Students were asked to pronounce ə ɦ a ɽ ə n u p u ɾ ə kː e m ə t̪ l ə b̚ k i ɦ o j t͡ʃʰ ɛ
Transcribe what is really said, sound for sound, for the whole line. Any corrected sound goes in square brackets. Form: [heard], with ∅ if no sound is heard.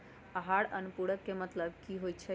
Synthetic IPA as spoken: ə ɦ a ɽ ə n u p u [ɽ] ə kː e m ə t̪ l ə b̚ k i ɦ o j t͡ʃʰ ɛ